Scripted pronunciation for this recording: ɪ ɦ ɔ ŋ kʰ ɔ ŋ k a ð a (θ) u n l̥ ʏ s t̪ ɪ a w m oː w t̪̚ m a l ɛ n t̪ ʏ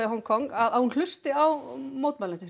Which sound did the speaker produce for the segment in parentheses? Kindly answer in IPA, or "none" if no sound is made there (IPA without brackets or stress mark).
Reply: h